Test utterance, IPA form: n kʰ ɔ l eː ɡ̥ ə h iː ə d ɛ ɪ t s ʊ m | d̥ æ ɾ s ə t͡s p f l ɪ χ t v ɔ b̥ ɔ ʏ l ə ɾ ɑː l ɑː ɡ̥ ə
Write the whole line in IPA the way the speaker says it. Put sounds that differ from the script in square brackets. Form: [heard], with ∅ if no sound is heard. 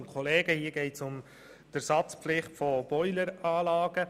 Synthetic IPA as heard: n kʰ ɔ l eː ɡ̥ ə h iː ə [ɡ] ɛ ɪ t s ʊ m | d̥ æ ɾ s [ɑ] t͡s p f l ɪ χ t [f] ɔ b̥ ɔ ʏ l ə ɾ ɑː l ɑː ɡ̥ ə